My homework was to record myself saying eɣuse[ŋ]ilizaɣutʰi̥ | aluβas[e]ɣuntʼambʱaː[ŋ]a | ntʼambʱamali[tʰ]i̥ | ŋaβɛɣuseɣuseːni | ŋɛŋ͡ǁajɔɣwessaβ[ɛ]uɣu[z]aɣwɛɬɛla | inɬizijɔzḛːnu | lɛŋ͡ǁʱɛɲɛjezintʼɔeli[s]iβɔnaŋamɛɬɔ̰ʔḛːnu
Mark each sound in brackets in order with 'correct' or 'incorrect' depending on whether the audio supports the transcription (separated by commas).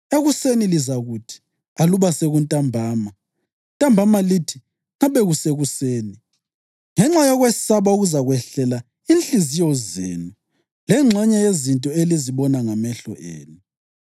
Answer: incorrect, correct, incorrect, correct, incorrect, correct, incorrect